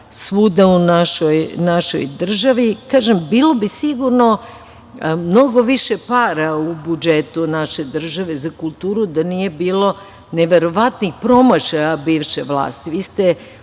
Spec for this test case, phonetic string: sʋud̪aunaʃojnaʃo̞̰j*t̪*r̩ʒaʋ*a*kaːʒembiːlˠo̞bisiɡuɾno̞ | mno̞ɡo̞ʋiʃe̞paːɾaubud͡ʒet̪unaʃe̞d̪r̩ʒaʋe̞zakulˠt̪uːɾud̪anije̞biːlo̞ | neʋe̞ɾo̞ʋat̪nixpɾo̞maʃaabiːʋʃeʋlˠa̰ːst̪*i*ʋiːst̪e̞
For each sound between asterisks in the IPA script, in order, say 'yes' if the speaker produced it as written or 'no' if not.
no, no, yes

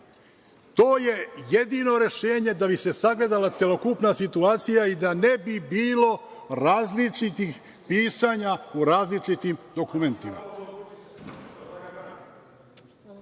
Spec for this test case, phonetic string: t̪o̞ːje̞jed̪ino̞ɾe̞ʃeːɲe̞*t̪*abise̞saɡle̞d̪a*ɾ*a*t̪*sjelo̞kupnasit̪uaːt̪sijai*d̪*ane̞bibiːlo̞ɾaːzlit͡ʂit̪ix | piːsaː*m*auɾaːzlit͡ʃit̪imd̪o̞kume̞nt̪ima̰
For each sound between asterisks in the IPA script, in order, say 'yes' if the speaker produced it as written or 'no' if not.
no, no, yes, yes, no

